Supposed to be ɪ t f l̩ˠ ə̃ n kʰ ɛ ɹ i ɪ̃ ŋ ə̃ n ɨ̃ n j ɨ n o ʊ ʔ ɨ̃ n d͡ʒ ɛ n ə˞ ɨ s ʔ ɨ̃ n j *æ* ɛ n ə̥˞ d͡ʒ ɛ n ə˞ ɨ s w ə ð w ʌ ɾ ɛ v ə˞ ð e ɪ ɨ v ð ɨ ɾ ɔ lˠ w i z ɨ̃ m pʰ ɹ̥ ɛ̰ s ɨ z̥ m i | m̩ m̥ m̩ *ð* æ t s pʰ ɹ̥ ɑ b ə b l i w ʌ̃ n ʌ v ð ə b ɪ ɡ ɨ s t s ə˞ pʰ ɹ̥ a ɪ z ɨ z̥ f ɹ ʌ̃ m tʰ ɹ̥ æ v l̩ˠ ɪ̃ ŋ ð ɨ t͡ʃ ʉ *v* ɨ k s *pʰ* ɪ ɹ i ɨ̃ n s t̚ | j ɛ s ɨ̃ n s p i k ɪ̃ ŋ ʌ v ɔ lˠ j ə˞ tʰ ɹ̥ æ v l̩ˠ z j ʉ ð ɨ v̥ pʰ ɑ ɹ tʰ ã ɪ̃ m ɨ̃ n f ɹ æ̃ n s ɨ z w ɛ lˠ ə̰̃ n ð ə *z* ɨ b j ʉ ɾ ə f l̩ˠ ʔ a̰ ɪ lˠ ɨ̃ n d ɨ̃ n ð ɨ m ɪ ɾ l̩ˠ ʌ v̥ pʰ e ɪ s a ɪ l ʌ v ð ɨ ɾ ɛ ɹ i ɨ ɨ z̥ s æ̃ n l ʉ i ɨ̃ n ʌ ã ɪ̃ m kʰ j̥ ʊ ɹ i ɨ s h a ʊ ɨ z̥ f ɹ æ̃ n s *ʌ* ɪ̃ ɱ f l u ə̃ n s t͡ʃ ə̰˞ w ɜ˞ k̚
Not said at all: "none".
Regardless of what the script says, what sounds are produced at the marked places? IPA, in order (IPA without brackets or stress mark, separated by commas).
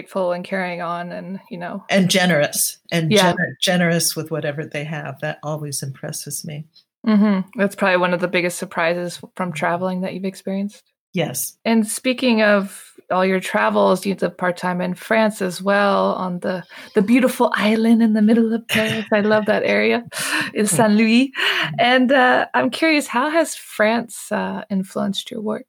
æ, ð, v, p, ð, ʌ